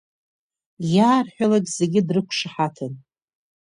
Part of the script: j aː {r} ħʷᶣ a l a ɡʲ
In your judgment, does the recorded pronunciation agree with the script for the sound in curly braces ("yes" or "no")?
yes